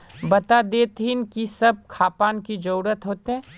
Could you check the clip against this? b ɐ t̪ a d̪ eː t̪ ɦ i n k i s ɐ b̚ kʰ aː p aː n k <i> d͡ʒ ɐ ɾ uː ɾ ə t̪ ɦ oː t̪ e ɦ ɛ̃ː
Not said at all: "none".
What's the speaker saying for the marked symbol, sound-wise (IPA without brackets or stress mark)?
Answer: i